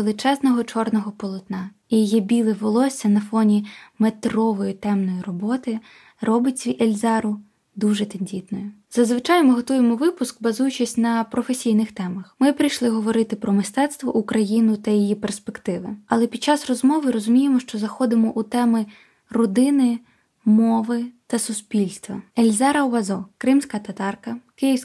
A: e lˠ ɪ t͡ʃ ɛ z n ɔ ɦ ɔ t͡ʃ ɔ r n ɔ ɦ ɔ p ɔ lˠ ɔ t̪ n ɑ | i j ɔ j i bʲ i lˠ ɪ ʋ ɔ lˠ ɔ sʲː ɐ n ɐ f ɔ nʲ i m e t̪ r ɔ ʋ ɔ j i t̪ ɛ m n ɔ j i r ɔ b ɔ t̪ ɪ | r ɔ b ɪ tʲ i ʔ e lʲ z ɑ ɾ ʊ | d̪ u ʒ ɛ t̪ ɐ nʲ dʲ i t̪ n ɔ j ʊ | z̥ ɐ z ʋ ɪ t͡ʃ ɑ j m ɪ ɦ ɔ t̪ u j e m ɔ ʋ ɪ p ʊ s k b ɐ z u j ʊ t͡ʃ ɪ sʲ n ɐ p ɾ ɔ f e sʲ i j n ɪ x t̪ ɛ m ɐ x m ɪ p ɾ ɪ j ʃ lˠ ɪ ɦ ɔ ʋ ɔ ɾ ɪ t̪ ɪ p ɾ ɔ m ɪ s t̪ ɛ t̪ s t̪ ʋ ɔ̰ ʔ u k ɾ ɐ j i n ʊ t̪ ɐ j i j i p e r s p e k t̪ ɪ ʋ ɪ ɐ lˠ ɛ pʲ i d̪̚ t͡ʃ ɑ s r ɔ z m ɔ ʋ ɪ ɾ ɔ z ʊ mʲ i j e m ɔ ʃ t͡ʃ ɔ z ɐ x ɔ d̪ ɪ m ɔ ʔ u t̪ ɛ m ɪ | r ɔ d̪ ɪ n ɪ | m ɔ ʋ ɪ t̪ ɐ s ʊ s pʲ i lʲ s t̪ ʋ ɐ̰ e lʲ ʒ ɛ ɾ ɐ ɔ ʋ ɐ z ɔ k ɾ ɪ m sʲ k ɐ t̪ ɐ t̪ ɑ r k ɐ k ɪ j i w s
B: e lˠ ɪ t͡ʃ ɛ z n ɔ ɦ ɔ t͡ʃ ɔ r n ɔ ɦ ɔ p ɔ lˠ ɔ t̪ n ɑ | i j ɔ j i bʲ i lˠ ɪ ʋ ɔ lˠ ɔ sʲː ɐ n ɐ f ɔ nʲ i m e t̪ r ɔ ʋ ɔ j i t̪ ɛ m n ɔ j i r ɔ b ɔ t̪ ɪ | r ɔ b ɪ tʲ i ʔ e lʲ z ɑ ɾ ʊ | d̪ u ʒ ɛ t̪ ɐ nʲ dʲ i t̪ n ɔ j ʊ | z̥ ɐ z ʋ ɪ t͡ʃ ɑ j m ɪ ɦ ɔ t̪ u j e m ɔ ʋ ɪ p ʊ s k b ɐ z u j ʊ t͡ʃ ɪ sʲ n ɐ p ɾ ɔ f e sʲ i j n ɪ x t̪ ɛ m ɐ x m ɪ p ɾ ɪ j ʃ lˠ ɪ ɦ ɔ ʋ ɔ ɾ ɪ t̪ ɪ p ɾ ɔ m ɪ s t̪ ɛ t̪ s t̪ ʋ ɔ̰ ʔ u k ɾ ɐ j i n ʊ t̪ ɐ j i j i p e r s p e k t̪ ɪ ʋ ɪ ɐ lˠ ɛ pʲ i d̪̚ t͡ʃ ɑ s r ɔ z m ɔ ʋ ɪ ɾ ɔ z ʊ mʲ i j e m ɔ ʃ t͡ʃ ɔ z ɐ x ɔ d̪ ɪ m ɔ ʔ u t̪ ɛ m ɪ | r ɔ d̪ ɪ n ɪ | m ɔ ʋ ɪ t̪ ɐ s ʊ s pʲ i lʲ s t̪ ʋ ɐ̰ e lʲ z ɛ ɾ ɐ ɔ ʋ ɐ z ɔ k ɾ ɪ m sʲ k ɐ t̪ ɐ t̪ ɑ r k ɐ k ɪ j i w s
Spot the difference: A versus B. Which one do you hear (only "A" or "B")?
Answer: B